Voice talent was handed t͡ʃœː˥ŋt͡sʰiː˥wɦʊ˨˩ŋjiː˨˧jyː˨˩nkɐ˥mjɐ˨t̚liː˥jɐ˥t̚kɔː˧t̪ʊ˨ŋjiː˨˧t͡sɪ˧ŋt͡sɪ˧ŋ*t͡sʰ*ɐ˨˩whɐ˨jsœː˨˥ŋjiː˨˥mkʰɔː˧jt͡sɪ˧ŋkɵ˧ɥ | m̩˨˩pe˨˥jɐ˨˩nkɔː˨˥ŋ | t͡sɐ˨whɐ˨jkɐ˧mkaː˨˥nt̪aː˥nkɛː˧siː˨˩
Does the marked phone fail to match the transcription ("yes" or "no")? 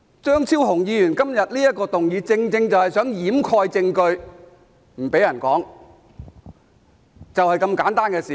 yes